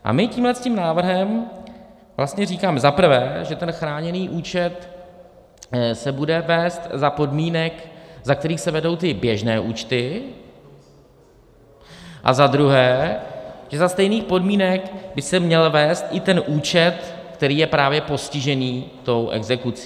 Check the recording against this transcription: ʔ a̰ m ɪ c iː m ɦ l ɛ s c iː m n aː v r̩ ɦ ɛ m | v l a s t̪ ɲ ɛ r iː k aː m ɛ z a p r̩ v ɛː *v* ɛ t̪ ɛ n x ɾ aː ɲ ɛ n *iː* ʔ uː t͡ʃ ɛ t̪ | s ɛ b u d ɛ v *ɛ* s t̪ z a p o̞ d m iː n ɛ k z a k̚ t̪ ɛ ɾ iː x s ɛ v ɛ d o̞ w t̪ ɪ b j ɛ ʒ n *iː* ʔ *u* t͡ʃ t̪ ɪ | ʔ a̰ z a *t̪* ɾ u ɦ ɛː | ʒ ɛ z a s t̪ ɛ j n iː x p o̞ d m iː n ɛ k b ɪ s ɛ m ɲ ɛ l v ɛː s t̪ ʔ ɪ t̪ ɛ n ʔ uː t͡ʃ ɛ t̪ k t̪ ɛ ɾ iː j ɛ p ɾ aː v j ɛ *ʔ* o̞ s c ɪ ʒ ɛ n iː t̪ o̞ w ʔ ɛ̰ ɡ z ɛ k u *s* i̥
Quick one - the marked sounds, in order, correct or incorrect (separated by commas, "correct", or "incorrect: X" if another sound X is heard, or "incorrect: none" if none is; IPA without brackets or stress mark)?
incorrect: ʒ, correct, incorrect: ɛː, incorrect: ɛː, incorrect: uː, incorrect: d̪, incorrect: p, incorrect: t͡s